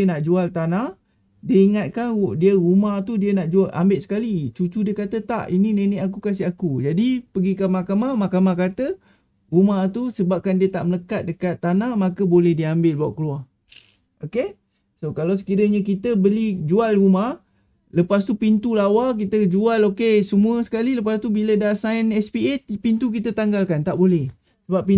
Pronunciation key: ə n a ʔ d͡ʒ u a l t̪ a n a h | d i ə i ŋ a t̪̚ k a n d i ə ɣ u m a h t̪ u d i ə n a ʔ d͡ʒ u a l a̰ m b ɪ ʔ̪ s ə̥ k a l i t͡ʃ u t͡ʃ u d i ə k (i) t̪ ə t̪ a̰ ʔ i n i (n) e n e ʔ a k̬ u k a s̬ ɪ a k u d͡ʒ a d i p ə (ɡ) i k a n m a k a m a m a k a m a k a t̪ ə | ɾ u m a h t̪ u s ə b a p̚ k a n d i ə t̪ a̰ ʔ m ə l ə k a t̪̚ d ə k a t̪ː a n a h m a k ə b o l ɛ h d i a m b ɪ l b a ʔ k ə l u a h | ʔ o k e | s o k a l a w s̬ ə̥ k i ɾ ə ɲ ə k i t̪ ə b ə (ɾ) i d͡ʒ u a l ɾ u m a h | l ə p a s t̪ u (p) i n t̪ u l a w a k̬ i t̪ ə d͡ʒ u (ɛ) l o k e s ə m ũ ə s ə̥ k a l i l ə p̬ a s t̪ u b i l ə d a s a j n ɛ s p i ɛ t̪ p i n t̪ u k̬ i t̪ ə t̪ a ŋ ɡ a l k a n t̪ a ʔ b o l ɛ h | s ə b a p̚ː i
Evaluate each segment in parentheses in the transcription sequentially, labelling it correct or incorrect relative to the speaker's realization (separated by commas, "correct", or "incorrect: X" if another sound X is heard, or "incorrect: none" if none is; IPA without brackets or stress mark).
incorrect: a, correct, correct, incorrect: l, correct, incorrect: a